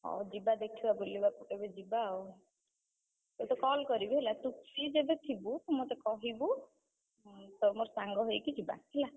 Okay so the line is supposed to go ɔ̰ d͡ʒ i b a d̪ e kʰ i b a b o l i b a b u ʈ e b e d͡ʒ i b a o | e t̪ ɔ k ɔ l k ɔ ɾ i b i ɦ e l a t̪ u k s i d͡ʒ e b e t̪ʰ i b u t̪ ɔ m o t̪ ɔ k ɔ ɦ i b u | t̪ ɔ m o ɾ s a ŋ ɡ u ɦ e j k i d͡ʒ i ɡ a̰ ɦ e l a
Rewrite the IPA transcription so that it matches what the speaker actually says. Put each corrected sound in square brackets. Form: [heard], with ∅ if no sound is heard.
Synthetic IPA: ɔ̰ d͡ʒ i b a d̪ e kʰ i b a b o l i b a [p] u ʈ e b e d͡ʒ i b a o | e t̪ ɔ k ɔ l k ɔ ɾ i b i ɦ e l a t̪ u k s i d͡ʒ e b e t̪ʰ i b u t̪ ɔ m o t̪ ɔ k ɔ ɦ i b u | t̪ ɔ m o ɾ s a ŋ ɡ [ɔ] ɦ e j k i d͡ʒ i [b] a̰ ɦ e l a